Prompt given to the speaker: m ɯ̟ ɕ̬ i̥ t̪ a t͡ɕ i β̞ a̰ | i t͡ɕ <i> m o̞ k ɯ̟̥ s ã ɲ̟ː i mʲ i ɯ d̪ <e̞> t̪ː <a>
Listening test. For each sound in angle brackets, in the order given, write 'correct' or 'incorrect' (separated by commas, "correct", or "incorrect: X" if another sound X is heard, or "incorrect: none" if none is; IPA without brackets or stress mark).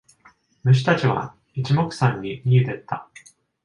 correct, correct, correct